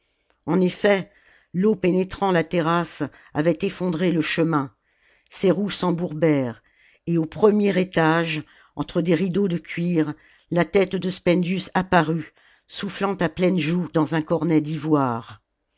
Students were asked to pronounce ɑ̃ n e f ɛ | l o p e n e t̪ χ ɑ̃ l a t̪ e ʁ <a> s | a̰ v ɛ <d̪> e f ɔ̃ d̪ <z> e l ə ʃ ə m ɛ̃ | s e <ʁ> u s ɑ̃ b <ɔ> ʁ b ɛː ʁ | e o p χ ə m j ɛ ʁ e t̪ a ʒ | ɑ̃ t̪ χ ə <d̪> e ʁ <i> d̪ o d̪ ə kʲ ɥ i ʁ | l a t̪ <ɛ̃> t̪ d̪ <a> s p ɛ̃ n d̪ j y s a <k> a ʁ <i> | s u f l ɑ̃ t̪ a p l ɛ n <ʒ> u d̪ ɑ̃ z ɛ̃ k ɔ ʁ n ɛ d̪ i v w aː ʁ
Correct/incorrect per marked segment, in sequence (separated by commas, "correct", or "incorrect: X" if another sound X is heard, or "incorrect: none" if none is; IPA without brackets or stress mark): correct, incorrect: t̪, incorrect: ʁ, correct, incorrect: u, correct, correct, incorrect: ɛ, incorrect: ə, incorrect: p, incorrect: y, correct